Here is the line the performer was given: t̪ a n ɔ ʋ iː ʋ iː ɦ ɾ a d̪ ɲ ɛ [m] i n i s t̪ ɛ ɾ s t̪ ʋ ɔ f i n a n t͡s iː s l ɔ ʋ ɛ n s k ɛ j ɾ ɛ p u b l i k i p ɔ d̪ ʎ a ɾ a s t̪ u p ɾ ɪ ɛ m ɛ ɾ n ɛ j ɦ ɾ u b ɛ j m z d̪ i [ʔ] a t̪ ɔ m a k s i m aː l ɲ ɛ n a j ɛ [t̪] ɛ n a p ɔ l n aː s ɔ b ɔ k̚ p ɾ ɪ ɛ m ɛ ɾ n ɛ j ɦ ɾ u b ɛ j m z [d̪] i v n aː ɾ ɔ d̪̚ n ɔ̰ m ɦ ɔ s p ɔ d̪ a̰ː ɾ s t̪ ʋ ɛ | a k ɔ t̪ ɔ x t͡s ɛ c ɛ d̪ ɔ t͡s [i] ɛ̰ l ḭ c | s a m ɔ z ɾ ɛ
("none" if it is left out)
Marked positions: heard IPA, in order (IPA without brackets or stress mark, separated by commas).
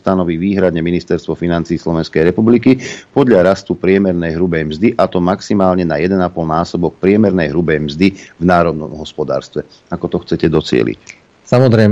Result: m, ʔ, d̪, d̪, ɪ